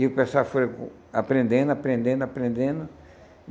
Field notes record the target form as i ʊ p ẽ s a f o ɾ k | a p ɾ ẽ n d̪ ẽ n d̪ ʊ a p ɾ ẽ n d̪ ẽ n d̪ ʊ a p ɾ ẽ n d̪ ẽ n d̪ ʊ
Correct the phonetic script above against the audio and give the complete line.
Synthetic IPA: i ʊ p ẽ s a f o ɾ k | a p ɾ ẽ n d̪ ẽ n d̪ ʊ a p ɾ ẽ n d̪ ẽ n d̪ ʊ a p ɾ ẽ n d̪ ẽ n d̪ ʊ